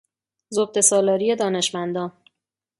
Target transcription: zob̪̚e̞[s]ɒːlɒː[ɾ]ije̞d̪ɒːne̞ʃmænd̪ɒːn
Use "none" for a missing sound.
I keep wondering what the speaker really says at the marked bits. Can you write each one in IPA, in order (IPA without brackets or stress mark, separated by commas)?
s, ɾ